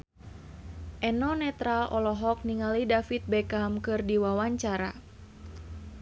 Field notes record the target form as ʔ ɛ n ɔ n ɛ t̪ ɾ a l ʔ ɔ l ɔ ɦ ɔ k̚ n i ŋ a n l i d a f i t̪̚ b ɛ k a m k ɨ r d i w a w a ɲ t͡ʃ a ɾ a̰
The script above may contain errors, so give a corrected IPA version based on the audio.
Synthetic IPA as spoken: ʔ ɛ n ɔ n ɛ t̪ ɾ a l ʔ ɔ l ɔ ɦ ɔ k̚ n i ŋ a l i d a f i t̪̚ b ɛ k a m k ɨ r d i w a w a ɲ t͡ʃ a ɾ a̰